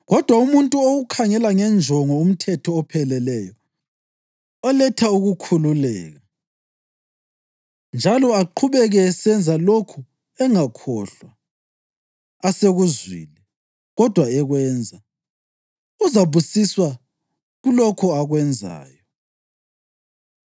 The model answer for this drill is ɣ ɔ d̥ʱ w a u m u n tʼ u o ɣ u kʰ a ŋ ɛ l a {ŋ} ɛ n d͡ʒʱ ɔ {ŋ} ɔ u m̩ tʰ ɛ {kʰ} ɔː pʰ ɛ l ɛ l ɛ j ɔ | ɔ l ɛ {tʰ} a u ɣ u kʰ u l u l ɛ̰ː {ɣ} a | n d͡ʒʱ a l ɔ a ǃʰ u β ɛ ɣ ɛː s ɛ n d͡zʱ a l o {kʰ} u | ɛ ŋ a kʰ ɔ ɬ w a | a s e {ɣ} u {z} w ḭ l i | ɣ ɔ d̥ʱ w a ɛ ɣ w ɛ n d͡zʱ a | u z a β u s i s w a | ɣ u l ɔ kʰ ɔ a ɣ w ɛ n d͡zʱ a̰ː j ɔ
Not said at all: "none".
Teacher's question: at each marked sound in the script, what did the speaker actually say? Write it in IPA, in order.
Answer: ŋ, ŋ, tʰ, tʰ, ɣ, kʰ, ɣ, z

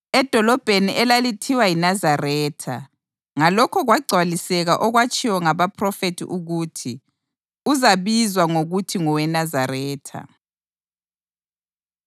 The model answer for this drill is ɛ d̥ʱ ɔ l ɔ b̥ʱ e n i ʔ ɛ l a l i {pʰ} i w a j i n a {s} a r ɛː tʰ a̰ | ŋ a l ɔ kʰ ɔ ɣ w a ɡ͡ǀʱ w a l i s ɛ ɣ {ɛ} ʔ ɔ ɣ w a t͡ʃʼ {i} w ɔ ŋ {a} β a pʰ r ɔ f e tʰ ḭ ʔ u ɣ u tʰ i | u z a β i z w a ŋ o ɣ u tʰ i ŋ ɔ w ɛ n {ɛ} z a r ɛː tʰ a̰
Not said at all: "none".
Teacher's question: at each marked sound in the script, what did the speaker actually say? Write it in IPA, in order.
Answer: tʰ, z, a, i, a, a

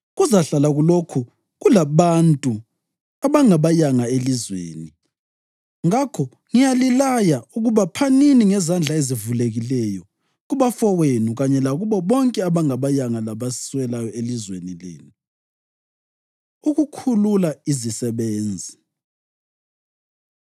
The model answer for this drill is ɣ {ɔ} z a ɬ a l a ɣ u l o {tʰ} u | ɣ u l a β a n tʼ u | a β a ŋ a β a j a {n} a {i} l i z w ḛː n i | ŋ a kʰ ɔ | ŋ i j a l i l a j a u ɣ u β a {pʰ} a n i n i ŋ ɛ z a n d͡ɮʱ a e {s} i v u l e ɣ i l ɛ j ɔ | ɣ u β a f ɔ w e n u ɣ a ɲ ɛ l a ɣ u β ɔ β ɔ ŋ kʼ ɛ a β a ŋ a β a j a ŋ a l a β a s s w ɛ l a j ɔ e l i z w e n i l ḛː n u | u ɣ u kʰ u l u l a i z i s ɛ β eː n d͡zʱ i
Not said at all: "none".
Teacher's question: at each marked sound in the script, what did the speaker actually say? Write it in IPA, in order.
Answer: u, kʰ, ŋ, e, pʰ, z

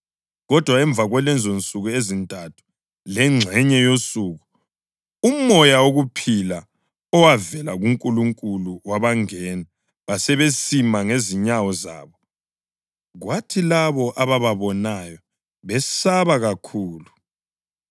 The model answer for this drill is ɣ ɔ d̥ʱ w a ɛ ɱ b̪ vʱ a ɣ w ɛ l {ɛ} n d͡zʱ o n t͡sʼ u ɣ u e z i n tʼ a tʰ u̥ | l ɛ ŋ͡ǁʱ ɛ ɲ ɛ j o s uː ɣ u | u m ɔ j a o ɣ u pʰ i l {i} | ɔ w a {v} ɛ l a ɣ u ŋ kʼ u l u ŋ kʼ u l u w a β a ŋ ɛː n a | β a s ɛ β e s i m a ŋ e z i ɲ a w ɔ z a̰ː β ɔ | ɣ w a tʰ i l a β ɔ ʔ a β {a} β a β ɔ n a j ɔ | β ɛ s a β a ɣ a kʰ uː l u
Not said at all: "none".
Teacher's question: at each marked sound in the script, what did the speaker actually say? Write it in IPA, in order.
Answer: ɛ, a, v, a

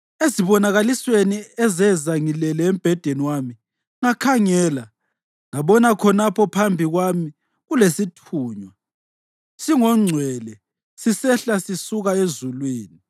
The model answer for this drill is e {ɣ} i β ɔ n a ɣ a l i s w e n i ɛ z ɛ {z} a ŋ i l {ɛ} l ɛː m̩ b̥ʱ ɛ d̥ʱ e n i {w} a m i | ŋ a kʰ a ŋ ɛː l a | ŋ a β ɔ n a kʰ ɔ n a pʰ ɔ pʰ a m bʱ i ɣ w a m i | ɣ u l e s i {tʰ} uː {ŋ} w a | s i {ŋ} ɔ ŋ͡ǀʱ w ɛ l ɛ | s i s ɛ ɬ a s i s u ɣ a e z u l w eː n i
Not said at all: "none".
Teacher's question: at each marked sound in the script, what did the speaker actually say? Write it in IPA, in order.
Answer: z, z, ɛ, w, tʰ, ɲ, ŋ

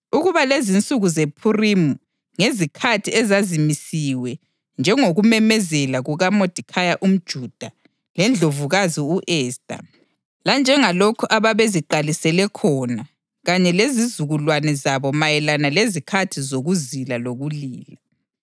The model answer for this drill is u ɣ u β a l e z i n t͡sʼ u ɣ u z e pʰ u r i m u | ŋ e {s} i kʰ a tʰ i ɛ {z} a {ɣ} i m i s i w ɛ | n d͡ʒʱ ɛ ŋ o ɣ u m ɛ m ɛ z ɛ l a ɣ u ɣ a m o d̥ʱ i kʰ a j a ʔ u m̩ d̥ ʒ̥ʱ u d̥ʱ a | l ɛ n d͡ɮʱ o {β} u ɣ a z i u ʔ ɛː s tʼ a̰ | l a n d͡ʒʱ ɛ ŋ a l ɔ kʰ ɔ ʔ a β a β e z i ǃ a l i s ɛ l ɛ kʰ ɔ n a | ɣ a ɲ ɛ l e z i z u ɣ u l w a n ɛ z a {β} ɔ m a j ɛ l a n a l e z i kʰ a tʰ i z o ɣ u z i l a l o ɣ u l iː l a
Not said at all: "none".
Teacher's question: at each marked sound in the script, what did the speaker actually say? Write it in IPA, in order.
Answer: z, z, z, v, β

